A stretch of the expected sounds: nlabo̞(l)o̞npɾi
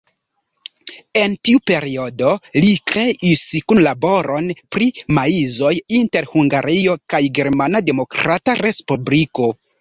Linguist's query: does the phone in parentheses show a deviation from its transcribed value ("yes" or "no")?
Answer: yes